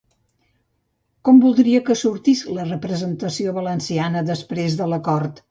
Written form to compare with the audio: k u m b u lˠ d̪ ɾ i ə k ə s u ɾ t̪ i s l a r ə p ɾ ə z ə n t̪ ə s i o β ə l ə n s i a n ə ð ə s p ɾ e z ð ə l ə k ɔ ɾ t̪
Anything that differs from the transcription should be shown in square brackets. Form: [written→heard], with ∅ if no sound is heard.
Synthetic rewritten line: k [u→ɔ] m b u lˠ d̪ ɾ i ə k ə s u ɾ t̪ i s l [a→ə] r ə p ɾ ə z ə n t̪ ə s i o β ə l ə n s i a n ə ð ə s p ɾ e z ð ə l ə k ɔ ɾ t̪